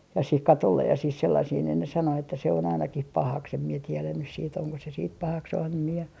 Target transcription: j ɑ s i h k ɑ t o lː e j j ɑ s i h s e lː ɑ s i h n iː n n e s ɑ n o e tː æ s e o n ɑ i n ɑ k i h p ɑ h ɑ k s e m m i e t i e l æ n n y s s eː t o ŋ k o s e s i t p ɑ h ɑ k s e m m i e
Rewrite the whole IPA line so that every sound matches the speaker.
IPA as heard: j ɑ s i h k ɑ t o lː e j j ɑ s i h s e lː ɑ s i h n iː n n e s ɑ n o e tː æ s e o n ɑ i n ɑ k i h p ɑ h ɑ k s e m m i e t i e l æ n n y s s iː t o ŋ k o s e s iː t p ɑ h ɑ k s e m m i e